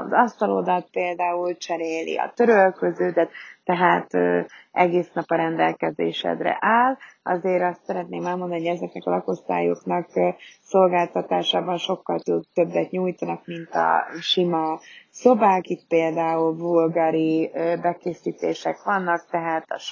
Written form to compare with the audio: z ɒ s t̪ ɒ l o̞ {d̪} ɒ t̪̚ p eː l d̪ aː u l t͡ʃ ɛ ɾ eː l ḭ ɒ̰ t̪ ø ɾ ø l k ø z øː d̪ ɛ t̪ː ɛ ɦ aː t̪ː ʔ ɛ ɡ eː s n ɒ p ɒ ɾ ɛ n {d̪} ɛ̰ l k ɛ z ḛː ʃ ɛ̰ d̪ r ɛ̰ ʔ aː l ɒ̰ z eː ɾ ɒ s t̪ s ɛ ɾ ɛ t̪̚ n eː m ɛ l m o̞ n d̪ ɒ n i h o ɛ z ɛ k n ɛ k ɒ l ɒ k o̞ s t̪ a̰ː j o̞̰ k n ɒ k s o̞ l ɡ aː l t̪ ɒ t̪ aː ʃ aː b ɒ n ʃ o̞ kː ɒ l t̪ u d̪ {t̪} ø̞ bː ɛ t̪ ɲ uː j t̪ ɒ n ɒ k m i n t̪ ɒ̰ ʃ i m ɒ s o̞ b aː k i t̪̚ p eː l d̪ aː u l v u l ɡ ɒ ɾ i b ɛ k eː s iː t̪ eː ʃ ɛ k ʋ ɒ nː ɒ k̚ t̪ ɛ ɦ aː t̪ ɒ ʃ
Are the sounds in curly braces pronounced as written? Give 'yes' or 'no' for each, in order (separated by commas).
yes, yes, yes